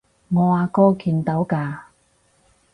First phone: ŋ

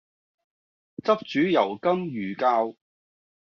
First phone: t͡s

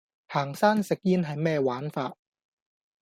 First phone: h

